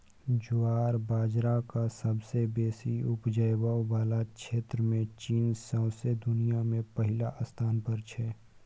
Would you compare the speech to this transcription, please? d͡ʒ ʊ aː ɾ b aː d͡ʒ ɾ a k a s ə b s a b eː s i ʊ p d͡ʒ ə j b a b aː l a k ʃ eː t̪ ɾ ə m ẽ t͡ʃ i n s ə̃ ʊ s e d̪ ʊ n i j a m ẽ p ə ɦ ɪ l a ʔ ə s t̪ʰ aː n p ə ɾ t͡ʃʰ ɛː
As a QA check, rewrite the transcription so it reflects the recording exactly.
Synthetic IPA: d͡ʒ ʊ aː ɾ b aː d͡ʒ ɾ a k a s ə b s e b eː s i ʊ p d͡ʒ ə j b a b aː l a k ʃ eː t̪ ɾ ə m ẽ t͡ʃ iː n s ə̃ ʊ s e d̪ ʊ n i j a m ẽ p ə ɦ ɪ l a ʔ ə s t̪ʰ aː n p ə ɾ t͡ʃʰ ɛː